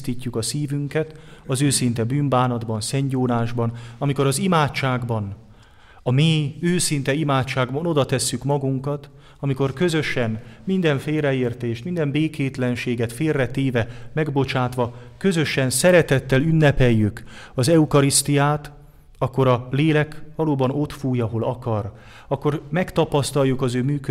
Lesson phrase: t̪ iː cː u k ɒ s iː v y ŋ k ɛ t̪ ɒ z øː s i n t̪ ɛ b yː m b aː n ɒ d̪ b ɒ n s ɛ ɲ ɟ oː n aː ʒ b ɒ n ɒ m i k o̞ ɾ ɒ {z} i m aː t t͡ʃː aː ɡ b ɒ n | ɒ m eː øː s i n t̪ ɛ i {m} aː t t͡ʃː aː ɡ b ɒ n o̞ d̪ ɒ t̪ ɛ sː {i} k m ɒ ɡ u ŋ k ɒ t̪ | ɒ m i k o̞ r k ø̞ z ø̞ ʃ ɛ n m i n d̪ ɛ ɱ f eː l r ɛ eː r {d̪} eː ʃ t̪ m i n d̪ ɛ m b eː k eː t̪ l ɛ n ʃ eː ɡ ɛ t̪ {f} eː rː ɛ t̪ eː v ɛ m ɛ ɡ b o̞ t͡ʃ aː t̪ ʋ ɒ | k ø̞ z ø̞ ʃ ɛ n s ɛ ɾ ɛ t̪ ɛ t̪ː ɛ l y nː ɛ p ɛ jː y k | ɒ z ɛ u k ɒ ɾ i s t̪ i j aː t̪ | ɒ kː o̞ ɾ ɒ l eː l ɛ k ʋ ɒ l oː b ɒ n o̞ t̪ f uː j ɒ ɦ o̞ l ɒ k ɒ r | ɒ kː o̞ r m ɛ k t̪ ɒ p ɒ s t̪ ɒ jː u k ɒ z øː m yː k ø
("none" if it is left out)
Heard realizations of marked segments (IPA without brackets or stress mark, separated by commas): z, m, y, t̪, f